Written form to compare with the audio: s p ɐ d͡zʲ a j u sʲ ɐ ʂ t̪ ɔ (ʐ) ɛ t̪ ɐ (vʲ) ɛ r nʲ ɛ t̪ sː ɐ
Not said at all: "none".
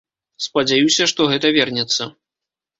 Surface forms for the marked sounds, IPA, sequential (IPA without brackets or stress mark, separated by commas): ɣ, vʲ